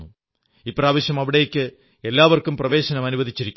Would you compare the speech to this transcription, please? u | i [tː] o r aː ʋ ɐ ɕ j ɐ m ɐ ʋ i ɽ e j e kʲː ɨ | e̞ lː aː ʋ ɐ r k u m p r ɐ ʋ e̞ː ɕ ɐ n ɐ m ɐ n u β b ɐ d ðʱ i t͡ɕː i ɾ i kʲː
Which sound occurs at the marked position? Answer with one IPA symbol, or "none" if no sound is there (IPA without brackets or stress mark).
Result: pː